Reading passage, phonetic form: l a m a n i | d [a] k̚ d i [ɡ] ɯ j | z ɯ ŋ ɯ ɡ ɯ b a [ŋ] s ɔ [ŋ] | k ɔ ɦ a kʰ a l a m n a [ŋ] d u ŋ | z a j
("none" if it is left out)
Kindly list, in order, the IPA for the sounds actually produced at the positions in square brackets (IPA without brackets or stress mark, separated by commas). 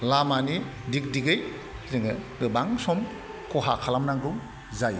i, ɡ, ŋ, m, ŋ